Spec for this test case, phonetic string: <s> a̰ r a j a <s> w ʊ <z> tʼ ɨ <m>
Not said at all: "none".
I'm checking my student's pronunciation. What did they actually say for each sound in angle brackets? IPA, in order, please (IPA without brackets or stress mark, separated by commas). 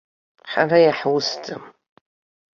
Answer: ħ, ħ, s, m